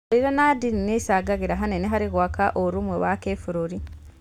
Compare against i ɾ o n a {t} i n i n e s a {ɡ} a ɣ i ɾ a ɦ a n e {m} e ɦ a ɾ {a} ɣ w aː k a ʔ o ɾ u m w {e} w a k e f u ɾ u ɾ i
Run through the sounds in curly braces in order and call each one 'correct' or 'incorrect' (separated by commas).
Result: incorrect, correct, incorrect, incorrect, correct